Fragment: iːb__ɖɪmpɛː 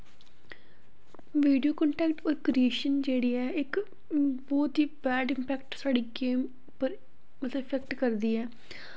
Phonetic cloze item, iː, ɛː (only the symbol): ɛː